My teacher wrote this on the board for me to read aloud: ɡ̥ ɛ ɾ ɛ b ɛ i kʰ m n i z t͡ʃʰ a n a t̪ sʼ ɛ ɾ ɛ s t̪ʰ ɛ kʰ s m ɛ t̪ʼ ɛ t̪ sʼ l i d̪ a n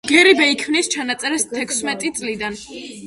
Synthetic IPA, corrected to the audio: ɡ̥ ɛ ɾ i b ɛ i kʰ m n i s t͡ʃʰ a n a t̪ sʼ ɛ ɾ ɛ s t̪ʰ ɛ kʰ s m ɛ t̪ʼ i t̪ sʼ l i d̪ a n